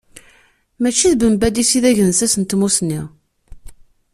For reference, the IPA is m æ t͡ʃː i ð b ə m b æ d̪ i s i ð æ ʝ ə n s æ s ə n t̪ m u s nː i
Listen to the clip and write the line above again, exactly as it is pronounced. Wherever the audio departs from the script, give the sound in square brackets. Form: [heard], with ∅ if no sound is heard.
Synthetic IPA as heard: m æ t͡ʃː i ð b ə m b æ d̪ i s i ð æ ʝ ə n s æ s ə n t̪ m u s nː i